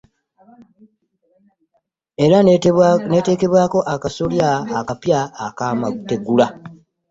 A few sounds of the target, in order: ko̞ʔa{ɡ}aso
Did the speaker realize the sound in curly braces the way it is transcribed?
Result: no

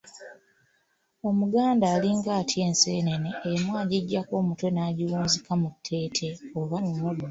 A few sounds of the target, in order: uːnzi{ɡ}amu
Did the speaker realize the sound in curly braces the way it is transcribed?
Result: no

